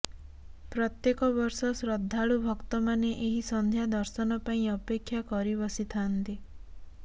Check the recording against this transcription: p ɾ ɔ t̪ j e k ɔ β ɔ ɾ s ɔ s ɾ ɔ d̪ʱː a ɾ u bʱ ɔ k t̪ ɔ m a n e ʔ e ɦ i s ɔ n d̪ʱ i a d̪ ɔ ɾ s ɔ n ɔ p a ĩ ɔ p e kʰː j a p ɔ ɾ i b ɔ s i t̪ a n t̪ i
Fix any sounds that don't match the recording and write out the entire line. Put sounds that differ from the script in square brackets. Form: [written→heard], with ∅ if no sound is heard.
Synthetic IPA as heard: p ɾ ɔ t̪ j e k ɔ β ɔ ɾ s ɔ s ɾ ɔ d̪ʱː a [ɾ→ɭ] u bʱ ɔ k t̪ ɔ m a n e ʔ e ɦ i s ɔ n d̪ʱ [i→j] a d̪ ɔ ɾ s ɔ n ɔ p a ĩ ɔ p e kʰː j a [p→k] ɔ ɾ i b ɔ s i [t̪→t̪ʰ] a n t̪ i